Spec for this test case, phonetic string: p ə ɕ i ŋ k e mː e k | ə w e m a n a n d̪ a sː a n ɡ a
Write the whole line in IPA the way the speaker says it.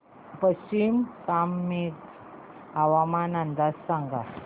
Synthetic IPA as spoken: p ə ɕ i m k a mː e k | a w a m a n a n d̪ a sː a ŋ ɡ a